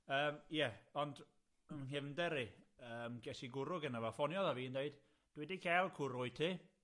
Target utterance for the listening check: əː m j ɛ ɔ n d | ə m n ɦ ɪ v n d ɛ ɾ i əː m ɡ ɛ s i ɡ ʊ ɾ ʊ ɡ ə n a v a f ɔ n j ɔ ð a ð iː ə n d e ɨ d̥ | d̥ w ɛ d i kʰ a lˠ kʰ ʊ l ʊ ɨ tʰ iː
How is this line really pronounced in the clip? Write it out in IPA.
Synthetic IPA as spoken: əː m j ɛ ɔ n d | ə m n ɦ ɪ v n d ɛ ɾ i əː m ɡ ɛ s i ɡ ʊ ɾ ʊ ɡ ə n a v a f ɔ n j ɔ ð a v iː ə n d e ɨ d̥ | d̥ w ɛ d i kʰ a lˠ kʰ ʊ ɾ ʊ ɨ tʰ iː